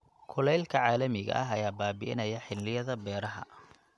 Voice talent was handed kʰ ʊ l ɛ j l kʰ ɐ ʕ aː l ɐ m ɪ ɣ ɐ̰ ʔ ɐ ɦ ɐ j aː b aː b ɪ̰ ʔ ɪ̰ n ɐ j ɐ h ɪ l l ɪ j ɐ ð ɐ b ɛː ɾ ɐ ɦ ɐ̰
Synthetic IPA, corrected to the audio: kʰ ʊ l ɛ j l kʰ ɐ ʕ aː l ɐ m ɪ ɣ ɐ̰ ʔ ɐ ɦ ɐ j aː b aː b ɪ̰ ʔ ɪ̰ n ɐ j ɐ ħ ɪ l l ɪ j ɐ ð ɐ b ɛː ɾ ɐ ɦ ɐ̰